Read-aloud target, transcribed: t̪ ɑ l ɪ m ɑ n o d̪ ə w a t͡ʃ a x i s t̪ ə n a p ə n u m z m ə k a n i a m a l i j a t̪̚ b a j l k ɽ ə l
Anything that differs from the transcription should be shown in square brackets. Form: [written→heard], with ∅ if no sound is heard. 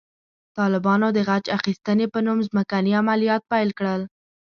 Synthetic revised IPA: t̪ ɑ l ɪ [m→b] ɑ n o d̪ ə [w→ɣ] a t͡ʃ a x i s t̪ ə n [a→e] p ə n u m z m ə k a n i a m a l i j [a→ɑ] t̪̚ [b→p] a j l k ɽ ə l